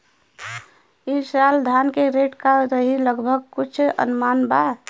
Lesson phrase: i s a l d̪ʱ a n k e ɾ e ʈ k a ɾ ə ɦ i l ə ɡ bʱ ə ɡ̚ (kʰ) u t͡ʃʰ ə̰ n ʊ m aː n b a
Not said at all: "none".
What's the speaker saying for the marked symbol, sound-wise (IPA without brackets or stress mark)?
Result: k